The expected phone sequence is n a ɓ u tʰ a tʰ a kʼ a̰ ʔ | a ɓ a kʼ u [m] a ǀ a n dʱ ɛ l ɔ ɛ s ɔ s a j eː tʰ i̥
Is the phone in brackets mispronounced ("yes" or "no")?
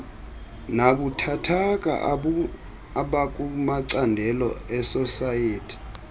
no